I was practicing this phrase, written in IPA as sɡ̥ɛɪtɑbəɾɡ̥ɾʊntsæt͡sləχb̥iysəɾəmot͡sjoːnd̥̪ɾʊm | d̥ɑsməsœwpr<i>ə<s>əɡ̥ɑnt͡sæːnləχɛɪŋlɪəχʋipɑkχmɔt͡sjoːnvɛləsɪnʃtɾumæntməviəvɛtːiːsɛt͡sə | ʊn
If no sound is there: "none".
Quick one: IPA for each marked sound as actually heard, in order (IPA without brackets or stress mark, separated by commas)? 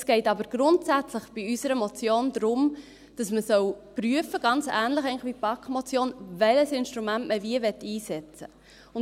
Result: y, f